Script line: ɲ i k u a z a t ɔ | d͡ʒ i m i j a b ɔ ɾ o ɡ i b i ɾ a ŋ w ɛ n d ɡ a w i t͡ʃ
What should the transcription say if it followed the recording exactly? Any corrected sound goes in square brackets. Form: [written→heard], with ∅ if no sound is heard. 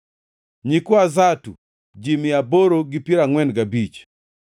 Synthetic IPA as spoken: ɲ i k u a z a t [ɔ→u] | d͡ʒ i m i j a b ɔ ɾ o ɡ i [b→p] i ɾ a ŋ w ɛ n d ɡ a [w→b] i t͡ʃ